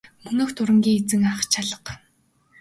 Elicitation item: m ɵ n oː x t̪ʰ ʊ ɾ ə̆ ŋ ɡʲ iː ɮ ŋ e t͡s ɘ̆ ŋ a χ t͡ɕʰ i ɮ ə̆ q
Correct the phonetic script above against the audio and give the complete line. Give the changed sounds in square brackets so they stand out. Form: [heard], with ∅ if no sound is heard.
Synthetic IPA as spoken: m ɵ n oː x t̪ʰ ʊ ɾ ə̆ ŋ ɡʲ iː [∅] ŋ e t͡s ɘ̆ ŋ a χ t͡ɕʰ [a] ɮ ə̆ q